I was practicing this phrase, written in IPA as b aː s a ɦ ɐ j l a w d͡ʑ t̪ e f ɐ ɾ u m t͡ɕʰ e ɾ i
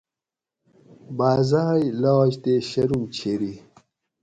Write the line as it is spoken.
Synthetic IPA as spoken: b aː z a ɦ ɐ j l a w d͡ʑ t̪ e ɕ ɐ ɾ u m t͡ɕʰ e ɾ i